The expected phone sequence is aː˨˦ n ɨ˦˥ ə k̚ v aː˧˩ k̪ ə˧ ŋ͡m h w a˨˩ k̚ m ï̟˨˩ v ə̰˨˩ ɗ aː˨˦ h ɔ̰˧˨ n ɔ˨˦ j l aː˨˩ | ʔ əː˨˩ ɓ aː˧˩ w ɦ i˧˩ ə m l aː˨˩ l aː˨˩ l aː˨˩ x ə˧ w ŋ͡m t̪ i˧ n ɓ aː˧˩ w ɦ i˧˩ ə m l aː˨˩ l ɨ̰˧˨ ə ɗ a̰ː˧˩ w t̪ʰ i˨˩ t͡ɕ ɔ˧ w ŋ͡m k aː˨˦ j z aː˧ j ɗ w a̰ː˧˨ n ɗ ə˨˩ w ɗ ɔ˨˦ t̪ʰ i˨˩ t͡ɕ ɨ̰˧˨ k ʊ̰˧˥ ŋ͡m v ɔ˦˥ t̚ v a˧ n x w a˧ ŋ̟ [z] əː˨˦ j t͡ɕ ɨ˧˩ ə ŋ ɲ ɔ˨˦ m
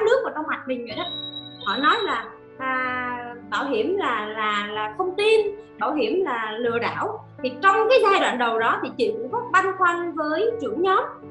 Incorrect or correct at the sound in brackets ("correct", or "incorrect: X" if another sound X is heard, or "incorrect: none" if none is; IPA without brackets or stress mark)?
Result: incorrect: v